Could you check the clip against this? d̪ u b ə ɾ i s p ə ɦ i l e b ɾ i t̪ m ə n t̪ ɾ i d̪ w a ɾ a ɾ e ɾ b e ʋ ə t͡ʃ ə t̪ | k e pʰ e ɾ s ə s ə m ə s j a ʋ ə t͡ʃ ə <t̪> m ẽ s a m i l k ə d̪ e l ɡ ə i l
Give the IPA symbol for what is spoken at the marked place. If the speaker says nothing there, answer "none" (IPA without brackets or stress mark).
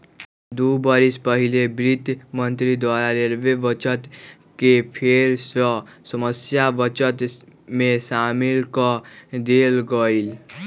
t̪